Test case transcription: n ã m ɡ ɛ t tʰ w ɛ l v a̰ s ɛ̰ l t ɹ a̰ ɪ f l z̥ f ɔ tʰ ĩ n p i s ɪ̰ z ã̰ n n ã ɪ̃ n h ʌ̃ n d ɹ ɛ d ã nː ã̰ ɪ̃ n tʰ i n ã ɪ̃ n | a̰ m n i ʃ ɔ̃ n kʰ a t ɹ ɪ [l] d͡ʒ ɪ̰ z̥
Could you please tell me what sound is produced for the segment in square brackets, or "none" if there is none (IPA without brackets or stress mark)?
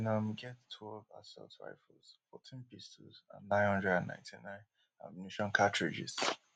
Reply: none